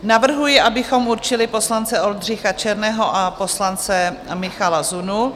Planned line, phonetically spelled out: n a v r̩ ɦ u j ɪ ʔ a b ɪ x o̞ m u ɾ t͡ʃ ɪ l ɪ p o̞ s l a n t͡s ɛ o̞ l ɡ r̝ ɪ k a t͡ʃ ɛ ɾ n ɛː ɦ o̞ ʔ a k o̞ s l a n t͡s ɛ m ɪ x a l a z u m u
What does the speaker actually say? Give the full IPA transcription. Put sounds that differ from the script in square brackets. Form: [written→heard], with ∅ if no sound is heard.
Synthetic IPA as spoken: n a v r̩ ɦ u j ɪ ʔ a b ɪ x o̞ m u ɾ t͡ʃ ɪ l ɪ p o̞ s l a n t͡s ɛ o̞ l [ɡ→d] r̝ ɪ [k→x] a t͡ʃ ɛ ɾ n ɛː ɦ o̞ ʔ a [k→p] o̞ s l a n t͡s ɛ m ɪ x a l a z u [m→n] u